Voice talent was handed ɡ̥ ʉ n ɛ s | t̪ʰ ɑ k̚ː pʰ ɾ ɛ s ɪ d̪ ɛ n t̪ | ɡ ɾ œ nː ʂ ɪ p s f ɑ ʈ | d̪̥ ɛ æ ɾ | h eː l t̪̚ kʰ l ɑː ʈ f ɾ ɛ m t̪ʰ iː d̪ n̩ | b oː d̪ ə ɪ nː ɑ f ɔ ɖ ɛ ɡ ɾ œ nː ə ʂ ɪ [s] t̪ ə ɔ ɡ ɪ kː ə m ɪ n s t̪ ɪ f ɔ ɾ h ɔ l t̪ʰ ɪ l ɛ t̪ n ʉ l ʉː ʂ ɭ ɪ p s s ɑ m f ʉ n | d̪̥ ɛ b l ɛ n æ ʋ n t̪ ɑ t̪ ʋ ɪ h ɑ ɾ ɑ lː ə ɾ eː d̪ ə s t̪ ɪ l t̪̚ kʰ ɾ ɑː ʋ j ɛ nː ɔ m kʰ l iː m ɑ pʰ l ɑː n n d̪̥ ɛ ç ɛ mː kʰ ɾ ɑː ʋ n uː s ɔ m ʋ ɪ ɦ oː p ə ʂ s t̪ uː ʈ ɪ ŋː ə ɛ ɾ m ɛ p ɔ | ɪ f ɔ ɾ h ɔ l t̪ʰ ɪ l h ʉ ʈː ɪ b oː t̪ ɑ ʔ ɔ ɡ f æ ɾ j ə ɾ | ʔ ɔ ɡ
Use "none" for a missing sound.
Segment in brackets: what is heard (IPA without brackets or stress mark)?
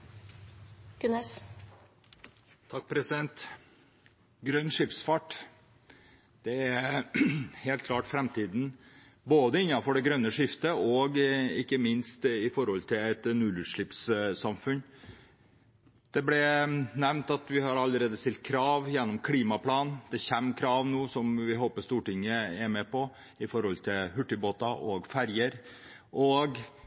f